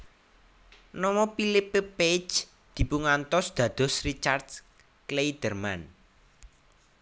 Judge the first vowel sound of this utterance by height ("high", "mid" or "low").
mid